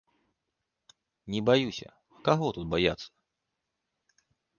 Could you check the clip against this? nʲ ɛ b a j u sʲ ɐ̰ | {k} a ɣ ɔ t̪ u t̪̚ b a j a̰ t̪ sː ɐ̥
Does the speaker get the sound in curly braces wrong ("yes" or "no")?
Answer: no